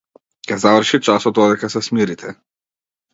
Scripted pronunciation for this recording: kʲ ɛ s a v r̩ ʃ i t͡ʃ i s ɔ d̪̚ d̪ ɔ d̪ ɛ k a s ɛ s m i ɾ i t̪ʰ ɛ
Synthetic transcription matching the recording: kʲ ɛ z a v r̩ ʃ i t͡ʃ a s ɔ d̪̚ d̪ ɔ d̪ ɛ k a s ɛ s m i ɾ i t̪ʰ ɛ